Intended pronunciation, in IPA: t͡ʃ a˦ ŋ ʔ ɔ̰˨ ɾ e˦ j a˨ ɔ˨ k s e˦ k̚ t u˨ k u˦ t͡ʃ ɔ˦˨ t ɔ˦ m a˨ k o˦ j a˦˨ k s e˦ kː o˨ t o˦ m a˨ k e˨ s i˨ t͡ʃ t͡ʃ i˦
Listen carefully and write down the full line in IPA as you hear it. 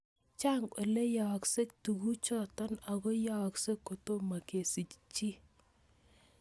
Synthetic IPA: t͡ʃ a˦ ŋ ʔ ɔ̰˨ l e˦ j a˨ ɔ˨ k s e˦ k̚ t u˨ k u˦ t͡ʃ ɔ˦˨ t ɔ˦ n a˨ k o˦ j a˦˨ k s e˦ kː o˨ t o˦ m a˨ k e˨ s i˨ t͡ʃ t͡ʃ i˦